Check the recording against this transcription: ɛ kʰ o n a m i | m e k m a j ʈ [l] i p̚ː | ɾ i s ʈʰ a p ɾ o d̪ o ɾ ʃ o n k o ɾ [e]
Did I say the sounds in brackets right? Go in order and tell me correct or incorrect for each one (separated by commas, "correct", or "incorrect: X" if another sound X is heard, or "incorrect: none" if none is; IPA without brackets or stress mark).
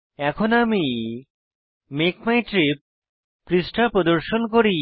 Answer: incorrect: ɾ, incorrect: i